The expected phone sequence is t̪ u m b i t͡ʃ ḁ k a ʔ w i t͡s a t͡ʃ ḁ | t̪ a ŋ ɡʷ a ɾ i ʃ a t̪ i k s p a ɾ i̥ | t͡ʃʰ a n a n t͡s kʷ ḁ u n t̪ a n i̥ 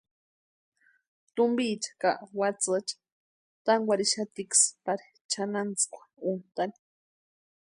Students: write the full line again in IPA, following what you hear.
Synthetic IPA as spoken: t̪ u m b i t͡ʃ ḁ k a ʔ w a t͡s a t͡ʃ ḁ | t̪ a ŋ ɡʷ a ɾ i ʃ a t̪ i k s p a ɾ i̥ | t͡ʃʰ a n a n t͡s kʷ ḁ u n t̪ a n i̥